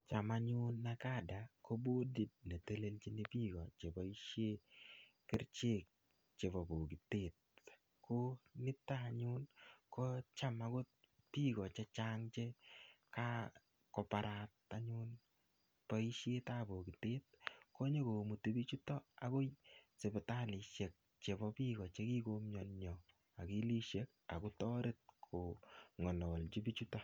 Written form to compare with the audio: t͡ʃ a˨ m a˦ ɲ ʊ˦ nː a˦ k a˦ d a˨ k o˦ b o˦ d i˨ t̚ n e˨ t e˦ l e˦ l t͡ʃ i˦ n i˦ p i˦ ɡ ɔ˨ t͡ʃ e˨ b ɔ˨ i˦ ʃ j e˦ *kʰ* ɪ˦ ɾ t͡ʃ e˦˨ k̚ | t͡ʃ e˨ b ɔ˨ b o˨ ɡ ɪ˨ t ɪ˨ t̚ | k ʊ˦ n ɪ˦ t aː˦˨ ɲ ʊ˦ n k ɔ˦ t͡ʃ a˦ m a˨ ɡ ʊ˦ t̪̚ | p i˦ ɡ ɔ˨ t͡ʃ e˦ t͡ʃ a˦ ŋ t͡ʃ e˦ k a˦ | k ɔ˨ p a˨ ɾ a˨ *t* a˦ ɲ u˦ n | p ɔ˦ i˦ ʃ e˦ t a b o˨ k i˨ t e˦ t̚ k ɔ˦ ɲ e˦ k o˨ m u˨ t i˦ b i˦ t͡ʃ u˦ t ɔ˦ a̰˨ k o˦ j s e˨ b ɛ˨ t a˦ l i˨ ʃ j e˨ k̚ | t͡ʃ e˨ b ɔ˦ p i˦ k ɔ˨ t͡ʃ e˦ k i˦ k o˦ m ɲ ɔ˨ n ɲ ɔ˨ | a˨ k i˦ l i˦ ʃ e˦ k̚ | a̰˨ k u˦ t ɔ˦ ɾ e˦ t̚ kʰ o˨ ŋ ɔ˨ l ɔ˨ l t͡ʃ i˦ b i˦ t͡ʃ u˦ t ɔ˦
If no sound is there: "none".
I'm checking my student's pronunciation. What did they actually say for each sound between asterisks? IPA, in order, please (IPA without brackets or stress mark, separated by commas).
k, t